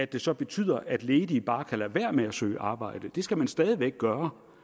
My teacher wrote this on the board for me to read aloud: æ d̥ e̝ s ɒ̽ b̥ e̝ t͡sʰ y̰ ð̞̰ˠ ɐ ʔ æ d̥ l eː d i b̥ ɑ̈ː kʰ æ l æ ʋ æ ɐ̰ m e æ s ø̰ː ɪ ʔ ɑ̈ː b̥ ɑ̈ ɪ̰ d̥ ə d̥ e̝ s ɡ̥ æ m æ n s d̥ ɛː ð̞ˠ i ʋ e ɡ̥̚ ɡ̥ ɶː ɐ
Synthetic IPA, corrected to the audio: æ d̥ e̝ s ɒ̽ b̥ e̝ t͡sʰ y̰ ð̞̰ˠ ɐ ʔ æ d̥ l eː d i b̥ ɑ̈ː kʰ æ l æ ʋ æ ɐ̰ m e æ s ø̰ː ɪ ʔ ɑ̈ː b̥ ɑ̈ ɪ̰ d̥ ə d̥ e̝ s ɡ̥ æ m æ n s d̥ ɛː ð̞ˠ i ʋ e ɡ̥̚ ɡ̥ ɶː ɐ